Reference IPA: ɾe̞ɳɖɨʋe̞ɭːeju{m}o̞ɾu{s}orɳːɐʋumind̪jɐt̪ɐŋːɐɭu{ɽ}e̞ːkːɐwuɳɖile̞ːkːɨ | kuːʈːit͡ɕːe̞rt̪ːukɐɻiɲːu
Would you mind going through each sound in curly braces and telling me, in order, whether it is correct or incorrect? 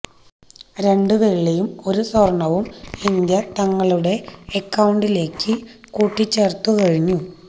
correct, correct, correct

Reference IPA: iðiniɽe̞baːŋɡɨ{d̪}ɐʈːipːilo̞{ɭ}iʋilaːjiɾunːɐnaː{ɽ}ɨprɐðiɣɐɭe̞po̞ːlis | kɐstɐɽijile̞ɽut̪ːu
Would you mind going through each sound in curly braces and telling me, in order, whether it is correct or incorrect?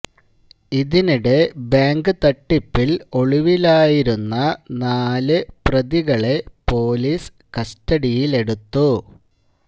incorrect: t̪, correct, incorrect: l

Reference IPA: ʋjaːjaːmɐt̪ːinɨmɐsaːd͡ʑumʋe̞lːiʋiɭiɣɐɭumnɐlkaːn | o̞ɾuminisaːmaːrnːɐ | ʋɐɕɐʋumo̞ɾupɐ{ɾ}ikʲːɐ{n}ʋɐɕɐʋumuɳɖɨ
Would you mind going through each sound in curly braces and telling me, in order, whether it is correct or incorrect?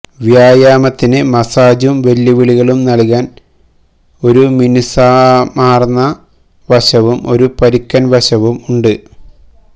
correct, correct

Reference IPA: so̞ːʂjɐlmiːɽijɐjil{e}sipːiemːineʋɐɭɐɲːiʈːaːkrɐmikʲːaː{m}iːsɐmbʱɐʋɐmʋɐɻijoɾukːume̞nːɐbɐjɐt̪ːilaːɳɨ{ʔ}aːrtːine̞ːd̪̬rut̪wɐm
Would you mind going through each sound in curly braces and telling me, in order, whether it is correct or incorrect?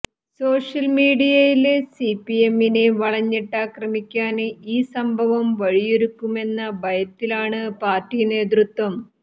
correct, incorrect: n, incorrect: p

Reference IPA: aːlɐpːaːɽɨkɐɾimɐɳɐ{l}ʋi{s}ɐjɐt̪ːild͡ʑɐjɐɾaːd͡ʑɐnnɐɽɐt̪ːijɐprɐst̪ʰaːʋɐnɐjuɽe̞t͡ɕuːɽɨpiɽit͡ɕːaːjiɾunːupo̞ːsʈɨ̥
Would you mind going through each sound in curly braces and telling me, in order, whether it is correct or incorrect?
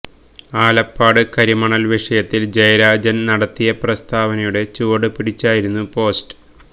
correct, incorrect: ʂ

